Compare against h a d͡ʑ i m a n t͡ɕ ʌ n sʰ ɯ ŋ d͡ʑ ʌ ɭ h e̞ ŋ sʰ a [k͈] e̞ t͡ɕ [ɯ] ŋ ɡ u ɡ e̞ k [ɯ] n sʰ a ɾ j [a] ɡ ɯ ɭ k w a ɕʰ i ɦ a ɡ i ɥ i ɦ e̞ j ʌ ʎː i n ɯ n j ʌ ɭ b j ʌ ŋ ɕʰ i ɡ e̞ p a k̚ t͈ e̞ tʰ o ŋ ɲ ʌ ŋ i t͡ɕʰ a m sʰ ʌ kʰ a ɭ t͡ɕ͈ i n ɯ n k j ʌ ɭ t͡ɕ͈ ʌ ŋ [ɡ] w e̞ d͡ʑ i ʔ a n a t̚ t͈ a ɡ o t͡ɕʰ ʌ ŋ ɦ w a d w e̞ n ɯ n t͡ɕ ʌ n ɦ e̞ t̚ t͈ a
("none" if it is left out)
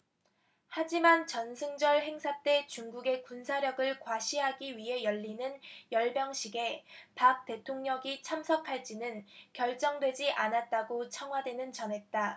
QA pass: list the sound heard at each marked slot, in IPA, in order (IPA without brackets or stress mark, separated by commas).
t͈, u, u, ʌ, d